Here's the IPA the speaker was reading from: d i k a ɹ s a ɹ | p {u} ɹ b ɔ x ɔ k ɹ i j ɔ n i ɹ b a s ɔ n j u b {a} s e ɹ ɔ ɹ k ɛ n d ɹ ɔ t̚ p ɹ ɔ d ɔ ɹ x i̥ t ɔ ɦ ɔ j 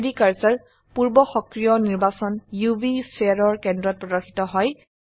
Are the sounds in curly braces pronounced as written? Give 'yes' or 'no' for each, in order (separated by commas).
yes, no